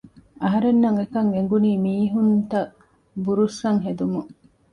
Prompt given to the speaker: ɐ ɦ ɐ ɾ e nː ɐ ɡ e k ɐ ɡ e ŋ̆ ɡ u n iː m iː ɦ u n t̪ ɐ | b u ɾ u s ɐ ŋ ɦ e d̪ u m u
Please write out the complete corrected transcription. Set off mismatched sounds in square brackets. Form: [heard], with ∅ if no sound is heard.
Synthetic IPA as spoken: ɐ ɦ ɐ ɾ e nː ɐ [ŋ] e k ɐ [ŋ] e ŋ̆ ɡ u n iː m iː ɦ u n t̪ ɐ | b u ɾ u s ɐ ŋ ɦ e d̪ u m u

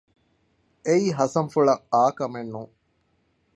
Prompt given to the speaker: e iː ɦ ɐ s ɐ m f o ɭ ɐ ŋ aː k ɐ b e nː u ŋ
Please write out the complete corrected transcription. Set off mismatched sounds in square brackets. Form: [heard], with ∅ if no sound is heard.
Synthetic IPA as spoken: e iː ɦ ɐ s ɐ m f [u] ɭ ɐ ŋ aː k ɐ [m] e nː u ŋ

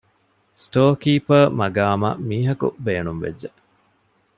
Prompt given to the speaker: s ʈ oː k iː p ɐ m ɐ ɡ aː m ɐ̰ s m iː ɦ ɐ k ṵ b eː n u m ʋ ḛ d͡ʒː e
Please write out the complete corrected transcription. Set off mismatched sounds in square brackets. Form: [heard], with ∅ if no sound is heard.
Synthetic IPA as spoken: s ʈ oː k iː p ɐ m ɐ ɡ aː m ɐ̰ [∅] m iː ɦ ɐ k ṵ b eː n u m ʋ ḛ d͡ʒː e

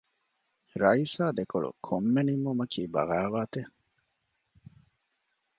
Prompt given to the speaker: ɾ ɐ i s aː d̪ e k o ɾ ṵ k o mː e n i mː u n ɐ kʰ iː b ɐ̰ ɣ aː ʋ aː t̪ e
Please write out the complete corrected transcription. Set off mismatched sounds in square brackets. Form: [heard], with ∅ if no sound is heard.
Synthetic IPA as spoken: ɾ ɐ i s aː d̪ e k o [ɭ] ṵ [kʰ] o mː e n i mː u [m] ɐ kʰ iː b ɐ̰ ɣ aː ʋ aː t̪ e

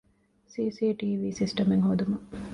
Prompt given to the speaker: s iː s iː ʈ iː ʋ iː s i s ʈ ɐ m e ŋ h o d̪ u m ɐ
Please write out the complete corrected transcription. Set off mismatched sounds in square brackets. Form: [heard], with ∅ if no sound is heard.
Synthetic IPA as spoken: s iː s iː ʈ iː ʋ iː s i s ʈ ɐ m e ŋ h o d̪ u m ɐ

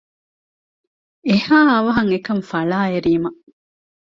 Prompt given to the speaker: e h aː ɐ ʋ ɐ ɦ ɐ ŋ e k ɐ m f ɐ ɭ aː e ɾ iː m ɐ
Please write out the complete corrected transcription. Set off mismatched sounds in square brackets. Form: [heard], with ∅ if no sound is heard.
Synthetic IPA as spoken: e h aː ɐ ʋ ɐ ɦ ɐ ŋ e k ɐ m f ɐ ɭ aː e ɾ iː m ɐ

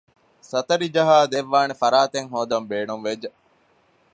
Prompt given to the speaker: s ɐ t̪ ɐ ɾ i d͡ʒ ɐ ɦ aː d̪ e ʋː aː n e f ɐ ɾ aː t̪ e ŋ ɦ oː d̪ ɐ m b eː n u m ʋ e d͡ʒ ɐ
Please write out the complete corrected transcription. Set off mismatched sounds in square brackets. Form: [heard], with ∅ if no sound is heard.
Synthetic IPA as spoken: s ɐ t̪ ɐ ɾ i d͡ʒ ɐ ɦ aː d̪ e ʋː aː n e f ɐ ɾ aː t̪ e ŋ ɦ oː d̪ ɐ m b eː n u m ʋ e d͡ʒ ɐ

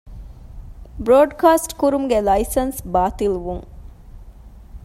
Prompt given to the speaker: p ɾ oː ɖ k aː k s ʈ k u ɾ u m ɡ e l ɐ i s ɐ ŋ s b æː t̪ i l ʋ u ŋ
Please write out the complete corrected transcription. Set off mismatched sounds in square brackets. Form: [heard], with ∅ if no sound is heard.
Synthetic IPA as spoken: [b] ɾ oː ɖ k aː [∅] s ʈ k u ɾ u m ɡ e l ɐ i s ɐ [n] s b [aː] t̪ i l ʋ u ŋ

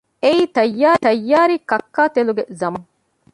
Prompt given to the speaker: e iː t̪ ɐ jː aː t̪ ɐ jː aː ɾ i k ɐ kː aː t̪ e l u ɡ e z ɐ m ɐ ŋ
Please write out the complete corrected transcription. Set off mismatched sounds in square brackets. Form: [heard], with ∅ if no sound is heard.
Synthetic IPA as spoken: e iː t̪ ɐ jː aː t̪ ɐ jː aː ɾ i k ɐ kː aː t̪ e l u ɡ e z ɐ m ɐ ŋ

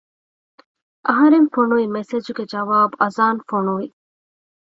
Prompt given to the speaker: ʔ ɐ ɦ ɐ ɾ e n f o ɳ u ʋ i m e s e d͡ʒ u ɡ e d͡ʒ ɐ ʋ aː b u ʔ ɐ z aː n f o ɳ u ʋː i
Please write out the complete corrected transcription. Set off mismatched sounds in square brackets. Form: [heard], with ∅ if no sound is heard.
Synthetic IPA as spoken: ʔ ɐ ɦ ɐ ɾ e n f o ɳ u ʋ i m e s e d͡ʒ u ɡ e d͡ʒ ɐ ʋ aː b u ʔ ɐ z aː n f o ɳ u [ʋ] i

